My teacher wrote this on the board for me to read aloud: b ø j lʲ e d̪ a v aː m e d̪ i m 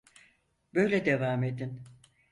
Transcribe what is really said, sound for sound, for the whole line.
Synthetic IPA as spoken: b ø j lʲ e d̪ e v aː m e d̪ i n